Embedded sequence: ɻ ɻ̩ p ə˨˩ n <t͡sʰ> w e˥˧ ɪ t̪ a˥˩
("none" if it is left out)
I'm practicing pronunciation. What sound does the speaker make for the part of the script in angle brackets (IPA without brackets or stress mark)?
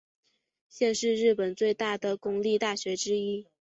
t͡s